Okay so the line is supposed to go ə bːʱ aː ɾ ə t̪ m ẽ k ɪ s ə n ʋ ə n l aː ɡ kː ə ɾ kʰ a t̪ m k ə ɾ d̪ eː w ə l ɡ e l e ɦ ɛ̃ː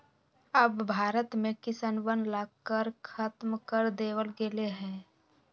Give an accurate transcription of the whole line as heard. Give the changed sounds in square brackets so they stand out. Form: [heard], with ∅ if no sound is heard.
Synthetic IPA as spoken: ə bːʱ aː ɾ ə t̪ m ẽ k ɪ s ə n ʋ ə n l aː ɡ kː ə ɾ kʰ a t̪ m k ə ɾ d̪ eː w ə l ɡ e l e ɦ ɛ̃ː